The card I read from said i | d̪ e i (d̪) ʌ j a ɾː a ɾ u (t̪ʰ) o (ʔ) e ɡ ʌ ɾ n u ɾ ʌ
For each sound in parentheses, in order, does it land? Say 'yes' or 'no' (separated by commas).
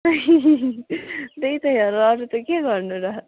no, no, no